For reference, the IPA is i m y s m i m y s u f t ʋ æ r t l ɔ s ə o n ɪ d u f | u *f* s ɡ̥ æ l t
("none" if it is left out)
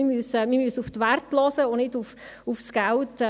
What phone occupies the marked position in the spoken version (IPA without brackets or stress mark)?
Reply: f